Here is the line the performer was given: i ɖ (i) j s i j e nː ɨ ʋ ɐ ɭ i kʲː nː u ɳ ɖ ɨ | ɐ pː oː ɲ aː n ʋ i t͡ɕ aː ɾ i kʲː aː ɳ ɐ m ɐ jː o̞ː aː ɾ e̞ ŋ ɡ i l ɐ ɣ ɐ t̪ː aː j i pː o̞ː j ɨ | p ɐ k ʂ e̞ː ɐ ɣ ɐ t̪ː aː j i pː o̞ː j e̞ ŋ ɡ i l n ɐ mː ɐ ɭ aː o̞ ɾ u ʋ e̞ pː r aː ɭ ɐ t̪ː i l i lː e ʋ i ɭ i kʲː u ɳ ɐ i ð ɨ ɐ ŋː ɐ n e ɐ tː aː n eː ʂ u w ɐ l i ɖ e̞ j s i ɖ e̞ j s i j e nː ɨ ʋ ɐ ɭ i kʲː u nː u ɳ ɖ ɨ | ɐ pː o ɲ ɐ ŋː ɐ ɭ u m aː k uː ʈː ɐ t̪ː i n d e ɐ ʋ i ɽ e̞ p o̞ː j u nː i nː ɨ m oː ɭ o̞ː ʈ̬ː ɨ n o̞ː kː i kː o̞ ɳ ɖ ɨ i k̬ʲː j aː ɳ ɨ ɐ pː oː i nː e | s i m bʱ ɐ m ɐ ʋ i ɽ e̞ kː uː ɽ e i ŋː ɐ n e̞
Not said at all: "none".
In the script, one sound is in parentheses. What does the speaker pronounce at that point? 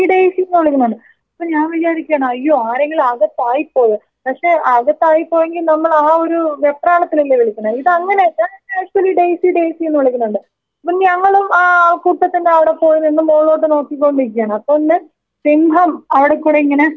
e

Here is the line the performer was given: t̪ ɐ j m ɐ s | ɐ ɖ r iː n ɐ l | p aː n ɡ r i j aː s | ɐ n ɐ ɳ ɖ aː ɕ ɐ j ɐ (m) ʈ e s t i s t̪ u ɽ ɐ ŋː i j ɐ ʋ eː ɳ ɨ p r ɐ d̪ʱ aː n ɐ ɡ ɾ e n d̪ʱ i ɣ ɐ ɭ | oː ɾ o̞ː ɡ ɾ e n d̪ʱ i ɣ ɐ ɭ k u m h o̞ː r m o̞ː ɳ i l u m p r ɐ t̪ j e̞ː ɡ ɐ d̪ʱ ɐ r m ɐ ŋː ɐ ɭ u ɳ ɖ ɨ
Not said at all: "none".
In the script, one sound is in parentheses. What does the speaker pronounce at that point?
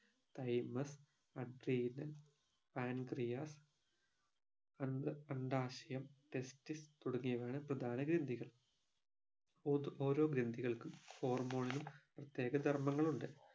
m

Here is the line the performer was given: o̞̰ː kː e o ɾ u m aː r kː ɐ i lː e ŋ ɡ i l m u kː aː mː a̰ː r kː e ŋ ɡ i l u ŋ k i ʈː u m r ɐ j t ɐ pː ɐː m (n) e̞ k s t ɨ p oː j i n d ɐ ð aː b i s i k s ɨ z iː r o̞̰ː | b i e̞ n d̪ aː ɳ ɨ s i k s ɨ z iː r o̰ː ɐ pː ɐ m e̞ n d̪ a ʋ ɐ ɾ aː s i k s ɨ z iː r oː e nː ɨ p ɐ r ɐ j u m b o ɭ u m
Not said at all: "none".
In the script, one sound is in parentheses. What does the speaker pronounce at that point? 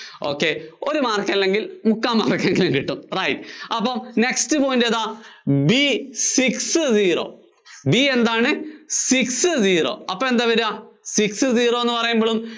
n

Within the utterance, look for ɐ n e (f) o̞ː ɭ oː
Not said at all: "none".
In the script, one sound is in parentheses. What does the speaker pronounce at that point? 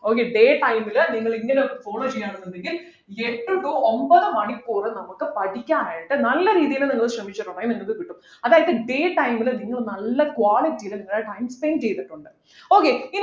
f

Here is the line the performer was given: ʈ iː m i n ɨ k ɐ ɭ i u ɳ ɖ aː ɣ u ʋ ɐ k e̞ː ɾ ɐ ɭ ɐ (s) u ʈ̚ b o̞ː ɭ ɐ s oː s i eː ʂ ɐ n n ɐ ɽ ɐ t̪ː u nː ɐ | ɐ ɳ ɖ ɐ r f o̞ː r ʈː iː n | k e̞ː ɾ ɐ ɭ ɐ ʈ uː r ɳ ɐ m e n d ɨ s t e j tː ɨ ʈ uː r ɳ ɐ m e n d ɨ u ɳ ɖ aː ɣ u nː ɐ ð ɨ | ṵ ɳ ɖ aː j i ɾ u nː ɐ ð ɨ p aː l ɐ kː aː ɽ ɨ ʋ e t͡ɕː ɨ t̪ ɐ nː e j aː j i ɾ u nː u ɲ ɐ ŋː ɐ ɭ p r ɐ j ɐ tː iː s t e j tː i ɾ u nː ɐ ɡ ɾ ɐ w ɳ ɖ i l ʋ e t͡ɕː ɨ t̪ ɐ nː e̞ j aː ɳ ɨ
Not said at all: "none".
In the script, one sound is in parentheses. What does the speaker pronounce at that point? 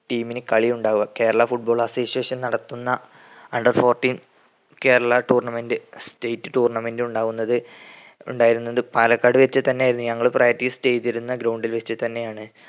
f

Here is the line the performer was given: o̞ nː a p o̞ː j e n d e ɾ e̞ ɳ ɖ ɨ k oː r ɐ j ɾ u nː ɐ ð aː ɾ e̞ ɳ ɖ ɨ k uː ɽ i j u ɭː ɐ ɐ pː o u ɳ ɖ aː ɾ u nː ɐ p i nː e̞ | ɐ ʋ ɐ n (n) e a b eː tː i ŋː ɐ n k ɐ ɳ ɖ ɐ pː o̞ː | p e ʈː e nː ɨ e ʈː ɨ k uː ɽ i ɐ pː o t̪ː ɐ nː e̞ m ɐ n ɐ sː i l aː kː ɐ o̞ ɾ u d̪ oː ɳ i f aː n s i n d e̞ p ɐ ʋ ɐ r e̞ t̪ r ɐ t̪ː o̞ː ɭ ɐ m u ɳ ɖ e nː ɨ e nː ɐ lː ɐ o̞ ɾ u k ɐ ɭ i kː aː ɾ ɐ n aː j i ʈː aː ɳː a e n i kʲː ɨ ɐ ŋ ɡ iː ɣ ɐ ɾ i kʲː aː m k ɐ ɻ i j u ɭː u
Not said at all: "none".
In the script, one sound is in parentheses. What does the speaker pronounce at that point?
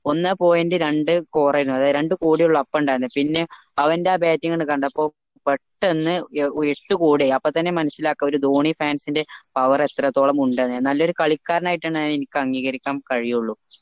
d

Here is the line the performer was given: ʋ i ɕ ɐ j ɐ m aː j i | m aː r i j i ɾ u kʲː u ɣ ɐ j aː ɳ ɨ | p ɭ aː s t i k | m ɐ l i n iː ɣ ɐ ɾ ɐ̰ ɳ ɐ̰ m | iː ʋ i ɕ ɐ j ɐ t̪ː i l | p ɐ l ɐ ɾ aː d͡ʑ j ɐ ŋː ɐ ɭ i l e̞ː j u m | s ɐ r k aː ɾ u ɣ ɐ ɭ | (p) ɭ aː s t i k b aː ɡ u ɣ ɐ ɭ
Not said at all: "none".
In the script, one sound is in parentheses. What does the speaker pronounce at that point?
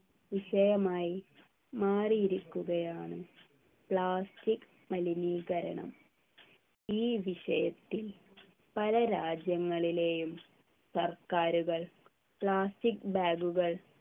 p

